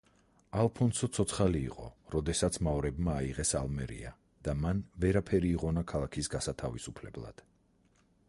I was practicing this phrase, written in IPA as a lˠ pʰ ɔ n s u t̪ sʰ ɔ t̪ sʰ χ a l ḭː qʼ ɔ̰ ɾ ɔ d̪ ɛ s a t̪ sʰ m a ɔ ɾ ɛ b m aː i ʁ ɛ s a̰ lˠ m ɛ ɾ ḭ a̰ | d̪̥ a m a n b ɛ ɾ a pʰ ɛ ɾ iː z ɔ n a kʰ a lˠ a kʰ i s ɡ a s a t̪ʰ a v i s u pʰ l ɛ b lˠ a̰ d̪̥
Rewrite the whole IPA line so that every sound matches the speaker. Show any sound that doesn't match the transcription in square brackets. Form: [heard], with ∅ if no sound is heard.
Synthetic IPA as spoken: a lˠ pʰ ɔ n s [ɔ] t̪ sʰ ɔ t̪ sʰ χ a l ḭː qʼ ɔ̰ ɾ ɔ d̪ ɛ s a t̪ sʰ m a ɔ ɾ ɛ b m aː i ʁ ɛ s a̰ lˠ m ɛ ɾ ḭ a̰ | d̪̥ a m a n [v] ɛ ɾ a pʰ ɛ ɾ iː [ʁ] ɔ n a kʰ a lˠ a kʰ i s ɡ a s a t̪ʰ a v i s u pʰ l ɛ b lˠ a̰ d̪̥

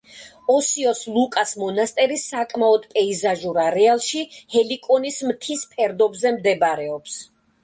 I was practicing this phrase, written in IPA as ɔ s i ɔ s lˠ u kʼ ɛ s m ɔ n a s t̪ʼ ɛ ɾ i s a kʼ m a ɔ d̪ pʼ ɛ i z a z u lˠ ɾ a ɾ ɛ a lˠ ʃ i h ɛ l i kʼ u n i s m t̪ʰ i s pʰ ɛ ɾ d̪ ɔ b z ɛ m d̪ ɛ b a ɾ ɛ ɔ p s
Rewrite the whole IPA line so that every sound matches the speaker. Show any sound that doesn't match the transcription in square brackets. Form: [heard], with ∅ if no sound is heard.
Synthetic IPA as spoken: ɔ s i ɔ s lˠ u kʼ [a] s m ɔ n a s t̪ʼ ɛ ɾ i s a kʼ m a ɔ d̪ pʼ ɛ i z a [ʒ] u [∅] ɾ a ɾ ɛ a lˠ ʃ i h ɛ l i kʼ [ɔ] n i s m t̪ʰ i s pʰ ɛ ɾ d̪ ɔ b z ɛ m d̪ ɛ b a ɾ ɛ ɔ p s

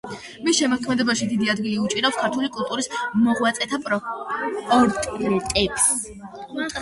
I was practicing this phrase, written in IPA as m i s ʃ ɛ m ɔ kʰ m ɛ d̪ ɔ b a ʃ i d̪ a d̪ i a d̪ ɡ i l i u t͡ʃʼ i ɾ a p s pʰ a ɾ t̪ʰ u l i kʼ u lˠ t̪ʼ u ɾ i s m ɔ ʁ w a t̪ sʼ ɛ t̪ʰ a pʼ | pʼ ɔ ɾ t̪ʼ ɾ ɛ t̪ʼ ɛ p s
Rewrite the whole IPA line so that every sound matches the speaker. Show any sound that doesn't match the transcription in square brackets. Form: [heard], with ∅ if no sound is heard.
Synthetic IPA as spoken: m i s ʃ ɛ m ɔ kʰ m ɛ d̪ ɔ b a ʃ i d̪ [i] d̪ i a d̪ ɡ i l i u t͡ʃʼ i ɾ a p s [kʰ] a ɾ t̪ʰ u l i kʼ u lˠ t̪ʼ u ɾ i s m ɔ ʁ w a t̪ sʼ ɛ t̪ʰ a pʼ | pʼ ɔ ɾ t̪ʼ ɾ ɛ t̪ʼ ɛ p s

